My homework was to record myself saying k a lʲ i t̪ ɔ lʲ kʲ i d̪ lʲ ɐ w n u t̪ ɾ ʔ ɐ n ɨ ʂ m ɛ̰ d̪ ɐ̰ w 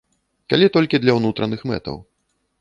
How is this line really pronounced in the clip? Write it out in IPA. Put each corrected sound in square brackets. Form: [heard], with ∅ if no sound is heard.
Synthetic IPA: k a lʲ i t̪ ɔ lʲ kʲ i d̪ lʲ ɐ w n u t̪ ɾ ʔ ɐ n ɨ [x] m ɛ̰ [t̪] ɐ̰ w